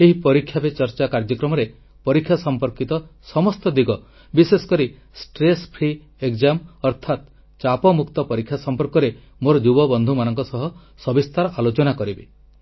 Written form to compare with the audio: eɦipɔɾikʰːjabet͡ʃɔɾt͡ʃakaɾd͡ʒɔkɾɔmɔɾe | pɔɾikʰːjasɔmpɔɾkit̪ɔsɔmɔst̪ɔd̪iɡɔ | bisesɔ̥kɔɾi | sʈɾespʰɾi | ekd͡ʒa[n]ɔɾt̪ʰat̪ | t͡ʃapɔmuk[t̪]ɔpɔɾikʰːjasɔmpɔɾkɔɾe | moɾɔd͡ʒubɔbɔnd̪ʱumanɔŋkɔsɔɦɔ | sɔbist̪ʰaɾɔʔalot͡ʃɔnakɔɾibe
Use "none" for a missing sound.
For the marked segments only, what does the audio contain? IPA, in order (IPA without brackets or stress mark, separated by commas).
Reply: m, t̪